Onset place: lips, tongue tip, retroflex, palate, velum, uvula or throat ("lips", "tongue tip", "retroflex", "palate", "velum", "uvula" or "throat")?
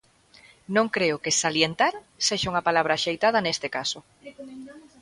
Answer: tongue tip